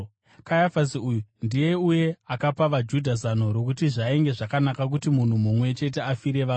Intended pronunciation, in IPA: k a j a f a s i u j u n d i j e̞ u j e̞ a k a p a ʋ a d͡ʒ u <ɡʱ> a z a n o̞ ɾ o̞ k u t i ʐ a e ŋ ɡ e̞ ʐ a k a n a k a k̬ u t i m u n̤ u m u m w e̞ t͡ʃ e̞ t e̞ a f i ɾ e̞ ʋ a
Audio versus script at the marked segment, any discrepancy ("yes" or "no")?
yes